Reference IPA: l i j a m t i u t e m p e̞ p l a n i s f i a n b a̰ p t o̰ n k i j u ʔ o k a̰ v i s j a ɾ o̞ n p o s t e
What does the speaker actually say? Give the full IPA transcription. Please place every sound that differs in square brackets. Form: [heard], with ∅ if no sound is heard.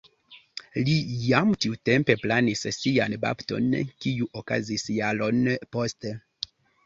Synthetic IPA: l i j a m t i u t e m p e̞ p l a n i s [s] i a n b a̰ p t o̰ n k i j u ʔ o k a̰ [z] i s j a [l] o̞ n p o s t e